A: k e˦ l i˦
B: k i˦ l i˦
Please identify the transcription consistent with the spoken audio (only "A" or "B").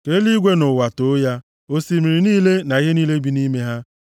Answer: A